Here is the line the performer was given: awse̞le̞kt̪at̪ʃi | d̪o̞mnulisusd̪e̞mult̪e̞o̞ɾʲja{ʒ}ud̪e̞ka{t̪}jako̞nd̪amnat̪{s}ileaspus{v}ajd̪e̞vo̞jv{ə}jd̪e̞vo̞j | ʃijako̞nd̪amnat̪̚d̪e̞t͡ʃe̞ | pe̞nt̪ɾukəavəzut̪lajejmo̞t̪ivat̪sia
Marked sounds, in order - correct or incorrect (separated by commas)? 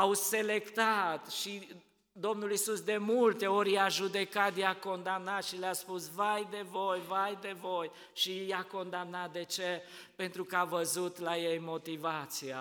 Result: correct, correct, incorrect, correct, incorrect